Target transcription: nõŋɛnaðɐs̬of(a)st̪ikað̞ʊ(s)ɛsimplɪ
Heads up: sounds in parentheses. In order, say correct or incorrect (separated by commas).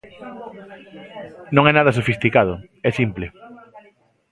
incorrect, incorrect